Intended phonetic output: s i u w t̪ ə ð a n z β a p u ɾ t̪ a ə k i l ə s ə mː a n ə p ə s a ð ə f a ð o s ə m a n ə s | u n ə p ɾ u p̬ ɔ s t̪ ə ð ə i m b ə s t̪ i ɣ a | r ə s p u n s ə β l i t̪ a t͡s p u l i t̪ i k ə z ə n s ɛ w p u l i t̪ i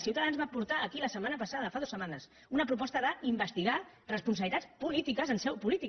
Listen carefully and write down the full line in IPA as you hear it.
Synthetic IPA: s i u w t̪ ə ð a n z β a p u ɾ t̪ a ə k i l ə s ə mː a n ə p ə s a ð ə f a ð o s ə m a n ə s | u n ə p ɾ u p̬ ɔ s t̪ ə ð ə i m b ə s t̪ i ɣ a | r ə s p u n s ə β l i t̪ a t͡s p u l i t̪ i k ə z ə n s ɛ w p u l i t̪ i